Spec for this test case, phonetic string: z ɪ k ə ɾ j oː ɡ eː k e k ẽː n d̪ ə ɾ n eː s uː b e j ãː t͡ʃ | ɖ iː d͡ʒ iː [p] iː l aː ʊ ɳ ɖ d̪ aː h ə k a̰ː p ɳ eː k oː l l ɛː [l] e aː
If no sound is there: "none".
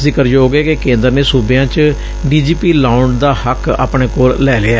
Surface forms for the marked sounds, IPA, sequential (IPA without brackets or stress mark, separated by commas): p, l